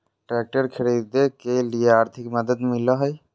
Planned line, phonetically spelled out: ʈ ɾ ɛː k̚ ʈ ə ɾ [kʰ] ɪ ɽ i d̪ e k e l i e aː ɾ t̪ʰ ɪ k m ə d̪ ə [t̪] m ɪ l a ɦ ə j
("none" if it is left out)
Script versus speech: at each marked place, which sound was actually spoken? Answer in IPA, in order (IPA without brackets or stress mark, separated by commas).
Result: kʰ, d̪